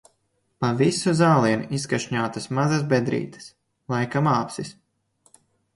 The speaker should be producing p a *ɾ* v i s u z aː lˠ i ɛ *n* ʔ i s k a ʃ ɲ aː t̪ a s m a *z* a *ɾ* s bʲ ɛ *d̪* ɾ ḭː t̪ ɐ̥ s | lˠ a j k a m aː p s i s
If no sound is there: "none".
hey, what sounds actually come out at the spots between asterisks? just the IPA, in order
none, n, z, none, d̪

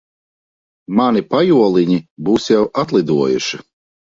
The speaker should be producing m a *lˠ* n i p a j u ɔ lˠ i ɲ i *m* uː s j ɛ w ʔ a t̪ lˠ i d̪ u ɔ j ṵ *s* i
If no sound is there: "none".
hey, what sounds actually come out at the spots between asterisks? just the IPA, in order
none, b, ʃ

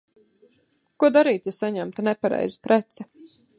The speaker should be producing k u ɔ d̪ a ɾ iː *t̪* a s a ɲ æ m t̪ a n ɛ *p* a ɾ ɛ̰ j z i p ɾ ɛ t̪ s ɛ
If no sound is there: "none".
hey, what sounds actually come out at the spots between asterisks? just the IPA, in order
t̪, p

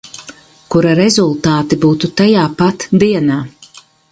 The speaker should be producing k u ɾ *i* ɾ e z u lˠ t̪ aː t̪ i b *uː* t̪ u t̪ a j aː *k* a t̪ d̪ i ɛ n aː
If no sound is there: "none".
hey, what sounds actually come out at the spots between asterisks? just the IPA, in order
a, uː, p

